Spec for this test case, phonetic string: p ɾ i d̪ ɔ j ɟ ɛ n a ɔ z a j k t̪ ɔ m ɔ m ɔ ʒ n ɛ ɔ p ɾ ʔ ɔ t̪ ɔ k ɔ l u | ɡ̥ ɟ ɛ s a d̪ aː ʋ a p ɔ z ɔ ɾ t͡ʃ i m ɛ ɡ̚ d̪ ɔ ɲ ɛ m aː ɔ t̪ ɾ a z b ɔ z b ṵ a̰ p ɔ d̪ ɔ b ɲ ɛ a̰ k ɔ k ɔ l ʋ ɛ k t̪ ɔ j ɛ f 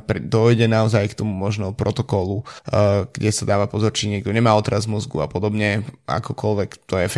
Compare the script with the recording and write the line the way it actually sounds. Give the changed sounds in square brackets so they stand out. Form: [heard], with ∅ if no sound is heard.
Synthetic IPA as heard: p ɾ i d̪ ɔ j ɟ ɛ n a ɔ z a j k t̪ ɔ m [u] m ɔ ʒ n ɛ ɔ p ɾ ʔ ɔ t̪ ɔ k ɔ l u | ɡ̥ ɟ ɛ s a d̪ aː ʋ a p ɔ z ɔ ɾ t͡ʃ i [ɲ] ɛ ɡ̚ d̪ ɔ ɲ ɛ m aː ɔ t̪ ɾ a z [m] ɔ z [ɡ] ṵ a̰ p ɔ d̪ ɔ b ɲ ɛ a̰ k ɔ k ɔ l ʋ ɛ k t̪ ɔ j ɛ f